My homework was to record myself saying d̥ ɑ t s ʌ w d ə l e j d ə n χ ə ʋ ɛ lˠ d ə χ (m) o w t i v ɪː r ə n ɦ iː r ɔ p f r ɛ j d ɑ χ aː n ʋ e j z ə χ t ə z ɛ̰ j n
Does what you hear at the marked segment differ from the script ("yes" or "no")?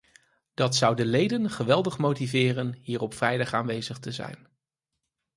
no